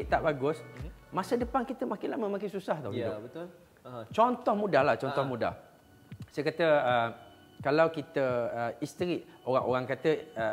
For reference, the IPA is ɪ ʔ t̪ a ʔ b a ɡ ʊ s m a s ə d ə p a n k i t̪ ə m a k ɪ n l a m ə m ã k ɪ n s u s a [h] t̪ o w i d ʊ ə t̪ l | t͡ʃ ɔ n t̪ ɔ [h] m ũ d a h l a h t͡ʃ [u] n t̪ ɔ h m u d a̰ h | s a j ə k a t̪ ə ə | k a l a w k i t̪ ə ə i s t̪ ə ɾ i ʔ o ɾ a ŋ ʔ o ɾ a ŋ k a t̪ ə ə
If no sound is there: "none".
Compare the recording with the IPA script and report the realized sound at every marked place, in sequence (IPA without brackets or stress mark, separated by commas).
h, h, ɔ